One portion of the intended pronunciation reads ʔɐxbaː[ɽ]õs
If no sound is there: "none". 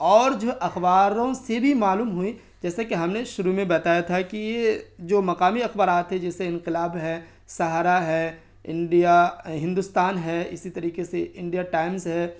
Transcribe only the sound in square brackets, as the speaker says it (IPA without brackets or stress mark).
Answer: ɾ